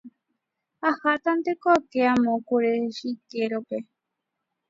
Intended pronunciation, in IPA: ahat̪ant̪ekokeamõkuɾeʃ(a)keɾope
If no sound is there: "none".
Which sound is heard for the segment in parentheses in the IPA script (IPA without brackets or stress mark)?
i